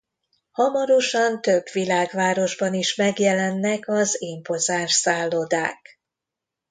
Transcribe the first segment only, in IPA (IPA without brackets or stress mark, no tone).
h